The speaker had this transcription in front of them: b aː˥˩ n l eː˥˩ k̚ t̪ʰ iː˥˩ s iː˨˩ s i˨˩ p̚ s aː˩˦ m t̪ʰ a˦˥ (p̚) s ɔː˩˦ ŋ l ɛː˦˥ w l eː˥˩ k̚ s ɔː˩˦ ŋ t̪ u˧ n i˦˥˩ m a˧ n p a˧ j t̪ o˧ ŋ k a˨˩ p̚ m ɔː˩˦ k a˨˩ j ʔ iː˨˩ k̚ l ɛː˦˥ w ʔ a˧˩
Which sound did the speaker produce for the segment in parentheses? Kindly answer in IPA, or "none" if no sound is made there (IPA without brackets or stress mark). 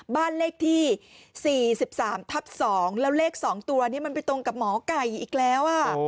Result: p̚